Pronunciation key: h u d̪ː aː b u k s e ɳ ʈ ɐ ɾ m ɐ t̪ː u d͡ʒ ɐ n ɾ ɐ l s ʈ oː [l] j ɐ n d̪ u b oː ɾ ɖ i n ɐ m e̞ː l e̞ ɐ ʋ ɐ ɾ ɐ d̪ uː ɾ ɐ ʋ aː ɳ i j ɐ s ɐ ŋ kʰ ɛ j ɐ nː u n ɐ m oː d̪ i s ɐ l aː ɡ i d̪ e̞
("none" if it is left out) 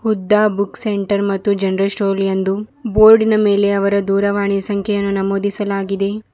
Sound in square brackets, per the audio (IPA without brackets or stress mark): l